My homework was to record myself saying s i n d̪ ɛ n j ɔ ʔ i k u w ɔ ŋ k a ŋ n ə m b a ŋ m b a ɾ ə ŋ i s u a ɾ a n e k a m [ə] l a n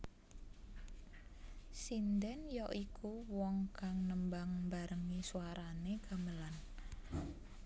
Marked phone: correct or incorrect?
correct